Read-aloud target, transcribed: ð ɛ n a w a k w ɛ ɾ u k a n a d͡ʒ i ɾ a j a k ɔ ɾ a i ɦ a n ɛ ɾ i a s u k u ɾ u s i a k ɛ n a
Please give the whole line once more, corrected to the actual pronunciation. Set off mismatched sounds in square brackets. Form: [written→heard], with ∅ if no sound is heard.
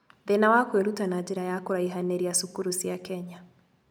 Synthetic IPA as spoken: ð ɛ n a w a k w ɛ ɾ u [k→t] a n a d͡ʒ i ɾ a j a k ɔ ɾ a i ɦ a n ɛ ɾ i a s u k u ɾ u s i a k ɛ [n→ɲ] a